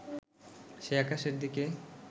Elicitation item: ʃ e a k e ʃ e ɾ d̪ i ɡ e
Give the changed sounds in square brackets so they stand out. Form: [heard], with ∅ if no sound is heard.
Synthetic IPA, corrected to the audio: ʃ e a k [a] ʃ e ɾ d̪ i [k] e